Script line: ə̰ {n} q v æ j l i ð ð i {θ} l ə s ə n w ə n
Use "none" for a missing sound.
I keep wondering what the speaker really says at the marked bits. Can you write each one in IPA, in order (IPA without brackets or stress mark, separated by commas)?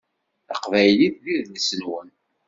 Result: none, ð